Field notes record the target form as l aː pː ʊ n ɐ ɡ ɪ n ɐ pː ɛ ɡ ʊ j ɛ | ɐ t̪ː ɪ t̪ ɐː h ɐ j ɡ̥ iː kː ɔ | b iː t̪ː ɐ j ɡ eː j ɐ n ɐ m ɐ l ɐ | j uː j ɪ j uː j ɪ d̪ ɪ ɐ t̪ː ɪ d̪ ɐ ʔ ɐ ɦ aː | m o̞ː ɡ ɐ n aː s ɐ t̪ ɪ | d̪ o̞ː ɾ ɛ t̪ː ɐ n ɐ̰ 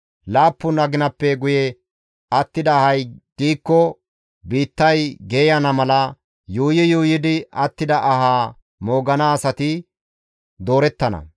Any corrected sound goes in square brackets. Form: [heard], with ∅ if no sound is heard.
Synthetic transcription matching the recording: l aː pː ʊ n ɐ ɡ ɪ n ɐ pː ɛ ɡ ʊ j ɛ | ɐ t̪ː ɪ [d̪] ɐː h ɐ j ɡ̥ iː kː ɔ | b iː t̪ː ɐ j ɡ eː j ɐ n ɐ m ɐ l ɐ | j uː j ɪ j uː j ɪ d̪ ɪ ɐ t̪ː ɪ d̪ ɐ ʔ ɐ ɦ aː | m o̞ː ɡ ɐ n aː s ɐ t̪ ɪ | d̪ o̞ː ɾ ɛ t̪ː ɐ n ɐ̰